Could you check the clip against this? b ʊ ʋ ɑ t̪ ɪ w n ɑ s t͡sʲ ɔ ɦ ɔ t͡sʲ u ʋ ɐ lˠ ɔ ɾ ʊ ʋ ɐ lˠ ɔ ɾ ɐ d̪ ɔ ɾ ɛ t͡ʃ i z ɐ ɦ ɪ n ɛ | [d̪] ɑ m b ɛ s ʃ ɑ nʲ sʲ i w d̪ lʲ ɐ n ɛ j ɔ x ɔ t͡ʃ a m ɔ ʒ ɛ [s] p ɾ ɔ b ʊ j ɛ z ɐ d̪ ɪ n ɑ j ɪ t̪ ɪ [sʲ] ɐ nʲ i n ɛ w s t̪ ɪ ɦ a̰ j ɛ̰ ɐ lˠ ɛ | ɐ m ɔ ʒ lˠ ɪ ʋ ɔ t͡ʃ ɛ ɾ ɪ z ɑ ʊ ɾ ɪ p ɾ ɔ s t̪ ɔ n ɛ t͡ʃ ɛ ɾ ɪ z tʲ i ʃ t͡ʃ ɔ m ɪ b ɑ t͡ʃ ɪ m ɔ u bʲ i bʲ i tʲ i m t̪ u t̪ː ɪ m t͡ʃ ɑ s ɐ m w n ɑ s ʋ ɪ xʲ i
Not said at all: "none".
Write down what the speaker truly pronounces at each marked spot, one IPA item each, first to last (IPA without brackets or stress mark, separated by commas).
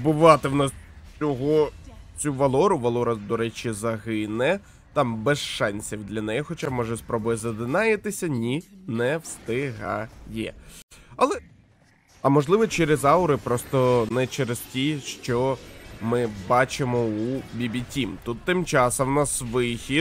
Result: t̪, s, sʲ